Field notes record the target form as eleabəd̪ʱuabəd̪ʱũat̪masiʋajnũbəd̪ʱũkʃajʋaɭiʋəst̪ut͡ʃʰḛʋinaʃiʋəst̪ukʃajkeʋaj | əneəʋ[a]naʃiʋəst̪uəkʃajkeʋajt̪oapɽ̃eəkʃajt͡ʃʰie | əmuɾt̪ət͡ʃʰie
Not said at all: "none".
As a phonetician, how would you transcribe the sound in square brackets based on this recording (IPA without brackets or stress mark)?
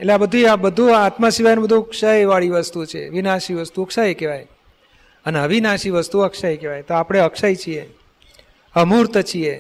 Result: i